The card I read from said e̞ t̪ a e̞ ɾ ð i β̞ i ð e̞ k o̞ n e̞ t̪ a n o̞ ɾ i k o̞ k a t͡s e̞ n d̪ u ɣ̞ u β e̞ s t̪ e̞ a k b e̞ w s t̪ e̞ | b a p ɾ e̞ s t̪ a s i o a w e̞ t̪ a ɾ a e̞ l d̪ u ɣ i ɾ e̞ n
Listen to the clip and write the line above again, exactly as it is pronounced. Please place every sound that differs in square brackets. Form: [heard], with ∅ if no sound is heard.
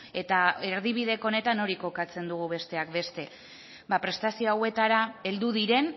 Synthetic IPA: e̞ t̪ a e̞ ɾ ð i β̞ i ð e̞ k o̞ n e̞ t̪ a n o̞ ɾ i k o̞ k a t͡s e̞ n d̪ u ɣ̞ u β e̞ s t̪ e̞ a k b e̞ [∅] s t̪ e̞ | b a p ɾ e̞ s t̪ a s i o a w e̞ t̪ a ɾ a e̞ l d̪ u [ð] i ɾ e̞ n